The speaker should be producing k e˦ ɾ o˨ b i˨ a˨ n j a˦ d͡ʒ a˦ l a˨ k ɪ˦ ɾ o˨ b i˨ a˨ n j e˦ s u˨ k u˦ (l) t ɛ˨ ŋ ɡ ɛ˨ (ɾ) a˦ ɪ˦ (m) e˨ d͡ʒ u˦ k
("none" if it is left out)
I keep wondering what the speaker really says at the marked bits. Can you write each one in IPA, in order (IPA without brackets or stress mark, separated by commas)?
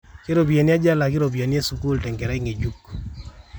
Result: l, ɾ, ŋ